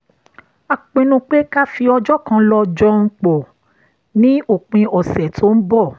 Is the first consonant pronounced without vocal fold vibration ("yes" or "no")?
yes